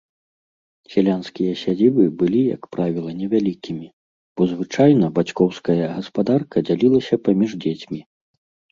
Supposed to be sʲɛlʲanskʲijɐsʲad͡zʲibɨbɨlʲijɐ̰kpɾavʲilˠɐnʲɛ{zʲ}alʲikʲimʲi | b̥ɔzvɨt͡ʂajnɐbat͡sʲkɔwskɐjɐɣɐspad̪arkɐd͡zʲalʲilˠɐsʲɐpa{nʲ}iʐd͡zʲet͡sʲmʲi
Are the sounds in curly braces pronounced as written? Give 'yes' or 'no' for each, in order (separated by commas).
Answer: no, no